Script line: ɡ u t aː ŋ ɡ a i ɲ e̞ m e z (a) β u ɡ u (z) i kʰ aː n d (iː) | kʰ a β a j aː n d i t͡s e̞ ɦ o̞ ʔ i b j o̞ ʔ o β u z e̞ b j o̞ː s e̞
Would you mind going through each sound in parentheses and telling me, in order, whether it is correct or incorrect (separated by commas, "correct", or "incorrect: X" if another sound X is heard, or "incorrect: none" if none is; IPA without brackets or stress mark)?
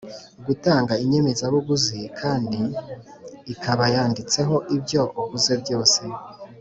correct, correct, correct